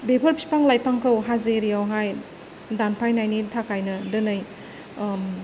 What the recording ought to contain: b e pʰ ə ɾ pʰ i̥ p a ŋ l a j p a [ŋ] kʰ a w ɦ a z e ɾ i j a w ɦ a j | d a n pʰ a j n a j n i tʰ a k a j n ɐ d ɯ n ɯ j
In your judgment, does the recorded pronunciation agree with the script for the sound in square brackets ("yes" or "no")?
yes